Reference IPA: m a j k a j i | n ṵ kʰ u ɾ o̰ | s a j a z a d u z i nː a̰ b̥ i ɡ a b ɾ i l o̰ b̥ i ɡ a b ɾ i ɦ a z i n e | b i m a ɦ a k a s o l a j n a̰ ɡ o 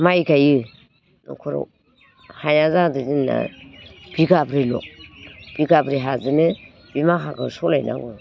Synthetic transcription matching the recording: m a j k a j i | n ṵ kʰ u ɾ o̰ | h a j a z a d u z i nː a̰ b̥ i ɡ a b ɾ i l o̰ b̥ i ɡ a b ɾ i ɦ a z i n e | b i m a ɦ a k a s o l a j n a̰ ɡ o